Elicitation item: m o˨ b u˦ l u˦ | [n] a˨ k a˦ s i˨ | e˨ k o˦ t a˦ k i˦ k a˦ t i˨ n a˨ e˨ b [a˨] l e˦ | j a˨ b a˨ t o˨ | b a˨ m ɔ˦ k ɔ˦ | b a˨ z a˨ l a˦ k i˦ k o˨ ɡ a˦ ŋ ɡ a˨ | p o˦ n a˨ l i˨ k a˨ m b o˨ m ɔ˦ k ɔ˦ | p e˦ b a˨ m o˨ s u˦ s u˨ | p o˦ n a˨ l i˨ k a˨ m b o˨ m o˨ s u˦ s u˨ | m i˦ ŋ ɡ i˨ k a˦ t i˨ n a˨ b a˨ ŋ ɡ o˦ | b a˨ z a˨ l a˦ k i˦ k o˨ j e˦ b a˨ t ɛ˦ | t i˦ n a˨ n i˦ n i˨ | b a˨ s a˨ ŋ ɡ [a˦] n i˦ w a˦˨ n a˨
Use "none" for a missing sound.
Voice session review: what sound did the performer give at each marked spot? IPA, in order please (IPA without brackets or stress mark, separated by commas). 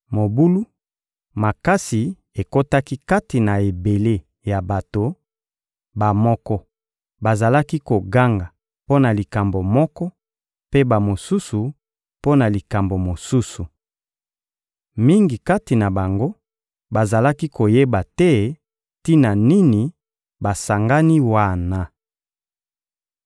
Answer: m, e˨, a˦